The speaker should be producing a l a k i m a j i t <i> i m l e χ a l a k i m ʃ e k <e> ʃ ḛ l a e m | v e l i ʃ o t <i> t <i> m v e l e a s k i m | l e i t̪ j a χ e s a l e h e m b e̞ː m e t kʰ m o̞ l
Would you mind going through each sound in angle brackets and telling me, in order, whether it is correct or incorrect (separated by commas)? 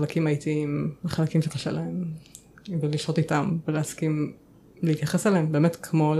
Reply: correct, incorrect, correct, incorrect